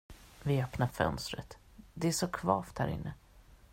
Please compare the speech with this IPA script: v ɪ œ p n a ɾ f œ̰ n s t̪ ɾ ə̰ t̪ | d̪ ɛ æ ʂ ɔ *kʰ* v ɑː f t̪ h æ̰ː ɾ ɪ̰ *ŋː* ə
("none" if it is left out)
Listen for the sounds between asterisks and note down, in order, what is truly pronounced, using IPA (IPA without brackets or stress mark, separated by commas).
kʰ, nː